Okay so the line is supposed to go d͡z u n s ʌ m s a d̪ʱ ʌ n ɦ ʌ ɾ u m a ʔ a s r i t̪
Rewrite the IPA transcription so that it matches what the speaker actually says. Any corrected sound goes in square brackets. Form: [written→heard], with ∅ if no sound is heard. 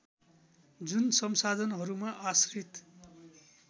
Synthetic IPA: d͡z u n s ʌ m s a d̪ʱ ʌ n ɦ ʌ ɾ u m a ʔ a s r i t̪